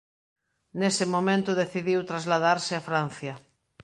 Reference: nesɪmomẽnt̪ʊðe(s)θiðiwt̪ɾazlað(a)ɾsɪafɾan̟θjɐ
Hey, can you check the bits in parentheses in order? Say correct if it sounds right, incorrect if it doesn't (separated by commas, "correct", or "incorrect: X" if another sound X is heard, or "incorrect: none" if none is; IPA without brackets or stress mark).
incorrect: none, correct